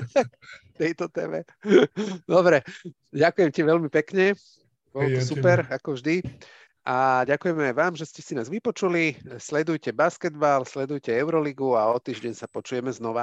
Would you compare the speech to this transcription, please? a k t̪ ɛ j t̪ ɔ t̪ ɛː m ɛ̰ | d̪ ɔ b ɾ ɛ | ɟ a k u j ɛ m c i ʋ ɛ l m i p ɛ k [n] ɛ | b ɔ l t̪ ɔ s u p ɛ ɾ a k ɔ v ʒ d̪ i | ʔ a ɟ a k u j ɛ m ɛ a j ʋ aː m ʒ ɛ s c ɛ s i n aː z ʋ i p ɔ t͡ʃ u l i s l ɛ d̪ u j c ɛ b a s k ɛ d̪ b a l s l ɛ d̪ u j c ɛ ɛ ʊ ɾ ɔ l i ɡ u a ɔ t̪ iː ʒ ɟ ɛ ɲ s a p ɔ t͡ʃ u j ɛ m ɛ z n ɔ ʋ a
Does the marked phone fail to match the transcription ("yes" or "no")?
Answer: yes